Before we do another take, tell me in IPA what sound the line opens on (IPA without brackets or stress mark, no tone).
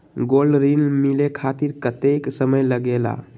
ɡ